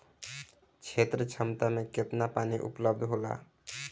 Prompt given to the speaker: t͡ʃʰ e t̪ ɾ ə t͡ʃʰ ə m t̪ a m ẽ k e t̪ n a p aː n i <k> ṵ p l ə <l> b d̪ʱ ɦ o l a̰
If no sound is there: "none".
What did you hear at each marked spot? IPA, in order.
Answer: ʔ, none

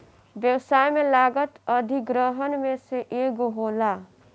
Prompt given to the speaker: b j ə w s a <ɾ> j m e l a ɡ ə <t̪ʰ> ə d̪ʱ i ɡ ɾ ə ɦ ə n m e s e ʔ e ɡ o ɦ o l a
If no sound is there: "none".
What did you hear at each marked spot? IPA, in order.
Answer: none, t̪

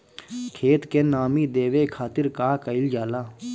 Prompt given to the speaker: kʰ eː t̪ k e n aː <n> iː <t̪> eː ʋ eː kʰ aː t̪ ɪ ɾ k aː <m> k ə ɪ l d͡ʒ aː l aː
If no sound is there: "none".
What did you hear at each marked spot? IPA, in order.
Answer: m, d̪, none

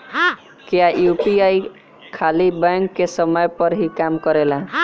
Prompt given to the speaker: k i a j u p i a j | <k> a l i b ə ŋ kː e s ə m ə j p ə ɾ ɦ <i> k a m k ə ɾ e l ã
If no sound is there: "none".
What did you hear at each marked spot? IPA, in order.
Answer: kʰ, i

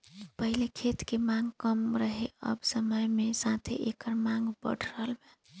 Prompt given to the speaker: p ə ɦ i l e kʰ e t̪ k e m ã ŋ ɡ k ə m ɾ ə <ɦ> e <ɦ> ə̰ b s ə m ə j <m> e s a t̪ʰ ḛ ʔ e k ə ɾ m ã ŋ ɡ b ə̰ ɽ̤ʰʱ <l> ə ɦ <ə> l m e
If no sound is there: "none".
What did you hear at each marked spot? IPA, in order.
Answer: ɦ, none, m, ɾ, ə

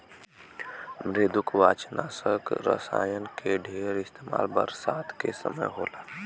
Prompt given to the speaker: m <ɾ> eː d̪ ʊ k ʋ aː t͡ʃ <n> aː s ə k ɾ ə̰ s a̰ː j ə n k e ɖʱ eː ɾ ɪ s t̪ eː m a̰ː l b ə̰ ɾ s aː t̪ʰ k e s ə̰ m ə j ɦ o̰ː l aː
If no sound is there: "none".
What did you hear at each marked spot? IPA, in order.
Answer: ɾ, n

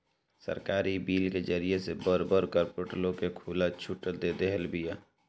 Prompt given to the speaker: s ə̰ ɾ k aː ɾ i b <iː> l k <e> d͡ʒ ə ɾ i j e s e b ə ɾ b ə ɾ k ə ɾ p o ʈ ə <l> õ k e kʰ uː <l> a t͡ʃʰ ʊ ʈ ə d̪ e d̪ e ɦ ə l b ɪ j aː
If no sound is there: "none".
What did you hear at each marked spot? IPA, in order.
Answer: iː, e, l, l

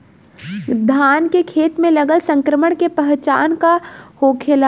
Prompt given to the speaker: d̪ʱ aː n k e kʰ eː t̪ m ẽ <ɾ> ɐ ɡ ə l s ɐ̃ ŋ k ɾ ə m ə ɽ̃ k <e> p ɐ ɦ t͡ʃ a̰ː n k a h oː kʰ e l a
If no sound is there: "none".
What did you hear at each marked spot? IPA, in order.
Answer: l, e

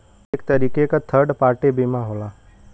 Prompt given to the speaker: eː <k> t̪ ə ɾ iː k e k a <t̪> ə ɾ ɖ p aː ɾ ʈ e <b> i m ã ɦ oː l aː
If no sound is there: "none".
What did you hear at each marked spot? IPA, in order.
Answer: k, t̪ʰ, b

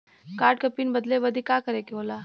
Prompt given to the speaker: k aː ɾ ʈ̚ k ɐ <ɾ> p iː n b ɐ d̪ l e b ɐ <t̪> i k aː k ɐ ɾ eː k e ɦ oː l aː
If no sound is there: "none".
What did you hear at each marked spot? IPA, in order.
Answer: none, d̪

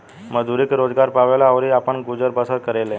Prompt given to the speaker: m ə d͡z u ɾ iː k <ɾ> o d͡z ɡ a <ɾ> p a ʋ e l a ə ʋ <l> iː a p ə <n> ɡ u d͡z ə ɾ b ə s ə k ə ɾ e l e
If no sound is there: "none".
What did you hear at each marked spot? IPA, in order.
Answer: ɾ, ɾ, ɾ, ɳ

